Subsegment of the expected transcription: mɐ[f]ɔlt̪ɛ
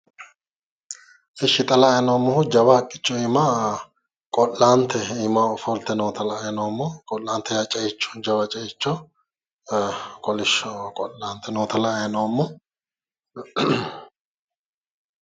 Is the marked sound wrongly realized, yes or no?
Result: no